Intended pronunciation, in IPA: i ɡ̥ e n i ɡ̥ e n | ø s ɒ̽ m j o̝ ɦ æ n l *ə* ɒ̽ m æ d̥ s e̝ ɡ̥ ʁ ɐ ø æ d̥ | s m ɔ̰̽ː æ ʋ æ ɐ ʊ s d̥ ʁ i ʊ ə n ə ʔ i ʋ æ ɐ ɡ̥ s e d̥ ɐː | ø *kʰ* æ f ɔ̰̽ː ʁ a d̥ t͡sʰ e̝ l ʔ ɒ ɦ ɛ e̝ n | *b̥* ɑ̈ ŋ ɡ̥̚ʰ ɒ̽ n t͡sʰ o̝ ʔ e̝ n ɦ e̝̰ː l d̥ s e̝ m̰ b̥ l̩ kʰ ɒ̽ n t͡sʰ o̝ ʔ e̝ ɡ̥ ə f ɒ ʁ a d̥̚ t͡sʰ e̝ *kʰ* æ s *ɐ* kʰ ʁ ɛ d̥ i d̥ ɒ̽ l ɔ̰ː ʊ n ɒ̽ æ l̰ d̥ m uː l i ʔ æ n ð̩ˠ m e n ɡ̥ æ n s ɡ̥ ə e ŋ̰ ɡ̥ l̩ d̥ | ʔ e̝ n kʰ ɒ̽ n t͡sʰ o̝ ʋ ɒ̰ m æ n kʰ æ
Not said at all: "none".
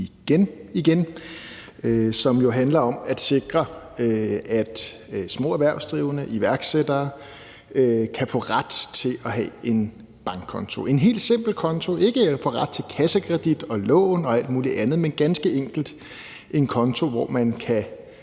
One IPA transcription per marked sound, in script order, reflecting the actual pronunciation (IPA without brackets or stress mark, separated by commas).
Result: ɐ, kʰ, b̥, kʰ, ə